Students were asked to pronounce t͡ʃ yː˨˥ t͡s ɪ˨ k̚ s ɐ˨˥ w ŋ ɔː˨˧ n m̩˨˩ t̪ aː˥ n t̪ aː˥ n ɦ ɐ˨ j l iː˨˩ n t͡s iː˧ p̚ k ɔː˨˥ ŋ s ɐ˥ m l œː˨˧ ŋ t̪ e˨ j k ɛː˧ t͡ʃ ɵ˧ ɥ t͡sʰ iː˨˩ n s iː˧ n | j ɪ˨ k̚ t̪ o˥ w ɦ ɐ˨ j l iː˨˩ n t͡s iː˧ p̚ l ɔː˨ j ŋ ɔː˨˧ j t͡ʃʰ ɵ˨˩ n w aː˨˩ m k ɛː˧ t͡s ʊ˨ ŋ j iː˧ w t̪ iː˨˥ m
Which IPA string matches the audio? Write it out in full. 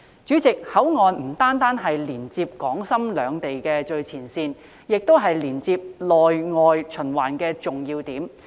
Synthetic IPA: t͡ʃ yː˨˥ t͡s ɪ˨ k̚ h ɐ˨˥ w ŋ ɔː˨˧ n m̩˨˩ t̪ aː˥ n t̪ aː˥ n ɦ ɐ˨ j l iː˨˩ n t͡s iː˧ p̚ k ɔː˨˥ ŋ s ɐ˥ m l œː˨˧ ŋ t̪ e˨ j k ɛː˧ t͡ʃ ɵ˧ ɥ t͡sʰ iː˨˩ n s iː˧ n | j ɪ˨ k̚ t̪ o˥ w ɦ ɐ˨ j l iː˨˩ n t͡s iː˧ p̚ l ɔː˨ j ŋ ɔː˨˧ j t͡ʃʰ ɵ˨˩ n w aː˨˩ n k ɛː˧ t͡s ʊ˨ ŋ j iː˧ w t̪ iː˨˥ m